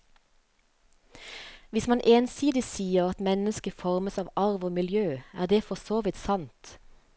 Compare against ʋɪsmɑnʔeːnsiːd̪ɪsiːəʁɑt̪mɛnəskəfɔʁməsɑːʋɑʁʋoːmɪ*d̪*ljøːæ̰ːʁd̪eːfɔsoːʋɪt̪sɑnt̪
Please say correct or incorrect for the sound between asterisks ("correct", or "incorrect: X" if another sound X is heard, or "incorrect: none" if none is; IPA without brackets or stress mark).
incorrect: none